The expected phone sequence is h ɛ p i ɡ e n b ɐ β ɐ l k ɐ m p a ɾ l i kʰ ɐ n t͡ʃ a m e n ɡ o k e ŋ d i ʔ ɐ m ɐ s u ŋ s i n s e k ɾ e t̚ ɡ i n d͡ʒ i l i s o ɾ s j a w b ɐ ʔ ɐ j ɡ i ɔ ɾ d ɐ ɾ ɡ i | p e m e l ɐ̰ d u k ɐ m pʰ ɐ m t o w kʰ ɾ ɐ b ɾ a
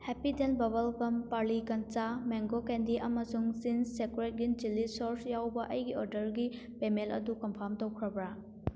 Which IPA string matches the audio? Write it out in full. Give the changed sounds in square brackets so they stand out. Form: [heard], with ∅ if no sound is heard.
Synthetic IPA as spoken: h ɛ p i [d] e n b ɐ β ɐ l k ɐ m p a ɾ l i [k] ɐ n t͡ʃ a m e [ŋ] ɡ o k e [n] d i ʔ ɐ m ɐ s u ŋ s i n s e k ɾ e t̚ ɡ i n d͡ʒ i l i s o ɾ s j a w b ɐ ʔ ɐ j ɡ i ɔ ɾ d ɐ ɾ ɡ i | p e m e l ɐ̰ d u k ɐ m pʰ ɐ m t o w kʰ ɾ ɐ b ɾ a